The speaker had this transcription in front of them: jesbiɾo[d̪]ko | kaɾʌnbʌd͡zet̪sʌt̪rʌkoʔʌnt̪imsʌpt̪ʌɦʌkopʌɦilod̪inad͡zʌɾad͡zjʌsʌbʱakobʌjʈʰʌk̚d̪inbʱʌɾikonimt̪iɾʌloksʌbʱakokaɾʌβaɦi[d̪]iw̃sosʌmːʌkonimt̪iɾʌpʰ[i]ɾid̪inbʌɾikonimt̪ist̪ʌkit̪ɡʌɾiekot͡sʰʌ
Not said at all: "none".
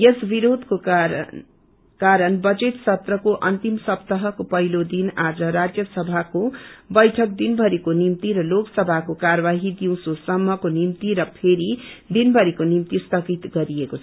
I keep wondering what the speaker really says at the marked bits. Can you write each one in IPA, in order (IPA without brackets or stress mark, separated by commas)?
d̪, d̪, e